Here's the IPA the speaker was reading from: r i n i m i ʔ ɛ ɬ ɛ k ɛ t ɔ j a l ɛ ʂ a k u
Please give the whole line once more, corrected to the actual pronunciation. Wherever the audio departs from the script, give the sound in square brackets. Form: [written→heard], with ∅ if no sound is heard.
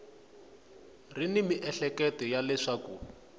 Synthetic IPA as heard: r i n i m i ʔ ɛ ɬ ɛ k ɛ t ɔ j a l ɛ ʂ a k u